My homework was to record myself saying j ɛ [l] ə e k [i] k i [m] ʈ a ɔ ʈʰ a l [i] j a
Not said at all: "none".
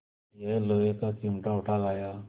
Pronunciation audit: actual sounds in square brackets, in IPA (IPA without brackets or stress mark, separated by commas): l, a, m, a